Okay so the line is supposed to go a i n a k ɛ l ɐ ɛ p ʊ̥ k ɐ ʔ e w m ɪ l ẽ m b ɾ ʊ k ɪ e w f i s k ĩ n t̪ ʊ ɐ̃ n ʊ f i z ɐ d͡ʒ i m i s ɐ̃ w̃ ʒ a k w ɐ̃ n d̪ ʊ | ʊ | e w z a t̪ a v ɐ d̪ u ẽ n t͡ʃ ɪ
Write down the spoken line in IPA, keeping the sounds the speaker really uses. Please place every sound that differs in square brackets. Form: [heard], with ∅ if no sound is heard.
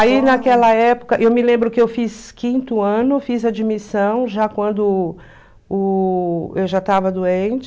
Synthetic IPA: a i n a k ɛ l ɐ ɛ p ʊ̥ k ɐ ʔ e w m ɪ l ẽ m b ɾ ʊ k ɪ e w f i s k ĩ n t̪ ʊ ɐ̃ n ʊ f i z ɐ d͡ʒ i m i s ɐ̃ w̃ ʒ a k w ɐ̃ n d̪ ʊ | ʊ | e w [ʒ] a t̪ a v ɐ d̪ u ẽ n t͡ʃ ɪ